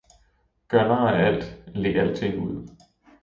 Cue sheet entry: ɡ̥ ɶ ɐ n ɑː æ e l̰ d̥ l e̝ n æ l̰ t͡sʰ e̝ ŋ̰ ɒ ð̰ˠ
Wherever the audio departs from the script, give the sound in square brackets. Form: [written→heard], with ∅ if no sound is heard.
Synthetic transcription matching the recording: ɡ̥ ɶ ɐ n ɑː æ [e→æ] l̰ d̥ l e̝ [n→∅] æ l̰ t͡sʰ e̝ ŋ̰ [ɒ→u] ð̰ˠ